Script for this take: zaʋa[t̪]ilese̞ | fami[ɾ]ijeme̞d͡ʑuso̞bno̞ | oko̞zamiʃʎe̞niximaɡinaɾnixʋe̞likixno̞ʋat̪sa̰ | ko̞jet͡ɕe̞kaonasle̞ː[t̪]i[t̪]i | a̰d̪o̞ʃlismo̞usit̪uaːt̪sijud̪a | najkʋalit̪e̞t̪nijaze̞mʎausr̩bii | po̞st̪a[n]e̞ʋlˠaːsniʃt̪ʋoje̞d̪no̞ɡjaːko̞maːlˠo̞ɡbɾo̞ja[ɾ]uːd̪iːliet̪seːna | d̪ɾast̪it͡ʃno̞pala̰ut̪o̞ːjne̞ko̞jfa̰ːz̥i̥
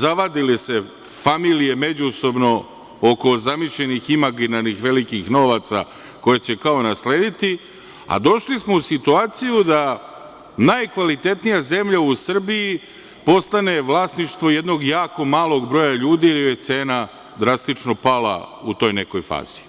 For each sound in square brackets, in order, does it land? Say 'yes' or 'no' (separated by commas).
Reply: no, no, no, yes, yes, no